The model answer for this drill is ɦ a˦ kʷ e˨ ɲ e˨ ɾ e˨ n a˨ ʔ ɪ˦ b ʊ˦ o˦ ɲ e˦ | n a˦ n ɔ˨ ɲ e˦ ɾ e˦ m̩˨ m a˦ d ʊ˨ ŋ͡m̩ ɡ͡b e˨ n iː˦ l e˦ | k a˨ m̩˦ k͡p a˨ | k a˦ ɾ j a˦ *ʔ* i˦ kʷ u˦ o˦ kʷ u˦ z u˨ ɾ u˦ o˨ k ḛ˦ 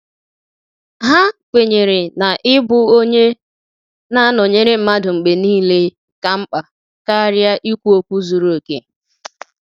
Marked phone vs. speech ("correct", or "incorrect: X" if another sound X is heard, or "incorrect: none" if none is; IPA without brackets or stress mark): correct